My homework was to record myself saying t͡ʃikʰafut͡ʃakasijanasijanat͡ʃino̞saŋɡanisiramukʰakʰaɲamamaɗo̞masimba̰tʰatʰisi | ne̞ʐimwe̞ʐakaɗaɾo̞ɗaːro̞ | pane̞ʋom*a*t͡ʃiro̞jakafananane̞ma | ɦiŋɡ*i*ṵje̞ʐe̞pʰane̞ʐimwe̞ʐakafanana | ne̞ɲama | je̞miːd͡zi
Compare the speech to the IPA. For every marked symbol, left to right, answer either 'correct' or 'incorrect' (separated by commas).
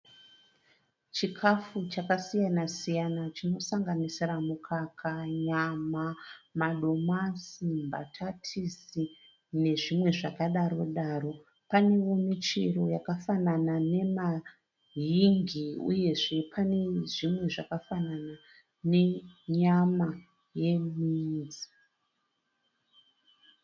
incorrect, correct